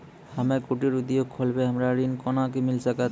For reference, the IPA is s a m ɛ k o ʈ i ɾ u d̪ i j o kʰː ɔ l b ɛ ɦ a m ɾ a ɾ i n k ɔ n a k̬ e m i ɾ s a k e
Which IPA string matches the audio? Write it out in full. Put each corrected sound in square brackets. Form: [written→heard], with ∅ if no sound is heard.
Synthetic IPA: [s→h] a m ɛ k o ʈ i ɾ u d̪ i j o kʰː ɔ l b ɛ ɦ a m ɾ a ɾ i n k ɔ n a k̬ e m i [ɾ→l] s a k [e→a]